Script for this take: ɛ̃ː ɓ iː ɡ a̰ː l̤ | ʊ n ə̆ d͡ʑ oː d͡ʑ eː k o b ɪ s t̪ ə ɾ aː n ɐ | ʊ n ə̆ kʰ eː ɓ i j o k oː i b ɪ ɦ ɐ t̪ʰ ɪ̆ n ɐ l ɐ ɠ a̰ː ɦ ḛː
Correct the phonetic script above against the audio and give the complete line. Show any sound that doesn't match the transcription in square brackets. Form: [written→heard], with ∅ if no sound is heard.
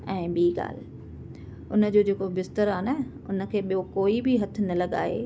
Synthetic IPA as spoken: ɛ̃ː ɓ iː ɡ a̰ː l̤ | ʊ n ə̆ d͡ʑ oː d͡ʑ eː k o b ɪ s t̪ ə ɾ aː n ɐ | ʊ n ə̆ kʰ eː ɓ i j o k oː i b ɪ ɦ ɐ t̪ʰ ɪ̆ n ɐ l ɐ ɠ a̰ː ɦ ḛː